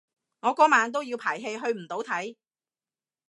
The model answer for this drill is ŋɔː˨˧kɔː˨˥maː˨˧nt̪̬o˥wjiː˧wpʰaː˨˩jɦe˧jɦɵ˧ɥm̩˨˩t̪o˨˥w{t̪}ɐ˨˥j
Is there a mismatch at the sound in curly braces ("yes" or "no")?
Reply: yes